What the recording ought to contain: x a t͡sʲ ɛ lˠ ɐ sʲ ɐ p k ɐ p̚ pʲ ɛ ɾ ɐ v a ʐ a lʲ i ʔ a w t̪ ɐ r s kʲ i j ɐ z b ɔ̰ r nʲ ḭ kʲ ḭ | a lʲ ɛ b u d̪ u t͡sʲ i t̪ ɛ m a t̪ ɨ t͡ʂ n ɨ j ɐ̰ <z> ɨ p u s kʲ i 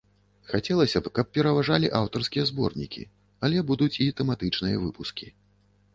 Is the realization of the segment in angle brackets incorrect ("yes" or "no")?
yes